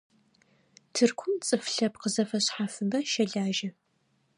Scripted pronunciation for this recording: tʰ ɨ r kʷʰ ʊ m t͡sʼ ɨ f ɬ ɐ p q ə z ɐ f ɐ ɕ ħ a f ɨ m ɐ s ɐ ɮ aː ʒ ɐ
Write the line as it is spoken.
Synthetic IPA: tʰ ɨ r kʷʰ ʊ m t͡sʼ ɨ f ɬ ɐ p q ə z ɐ f ɐ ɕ ħ a f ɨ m ɐ ʃ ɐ ɮ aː ʒ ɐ